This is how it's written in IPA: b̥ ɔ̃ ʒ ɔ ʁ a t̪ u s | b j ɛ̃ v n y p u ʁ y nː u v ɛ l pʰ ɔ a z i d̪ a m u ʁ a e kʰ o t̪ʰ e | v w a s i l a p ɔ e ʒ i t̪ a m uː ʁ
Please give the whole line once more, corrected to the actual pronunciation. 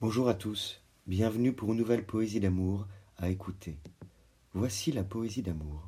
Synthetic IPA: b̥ ɔ̃ ʒ u ʁ a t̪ u s | b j ɛ̃ v n y p u ʁ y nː u v ɛ l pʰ ɔ e z i d̪ a m u ʁ a e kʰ u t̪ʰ e | v w a s i l a p ɔ e z i d̪ a m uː ʁ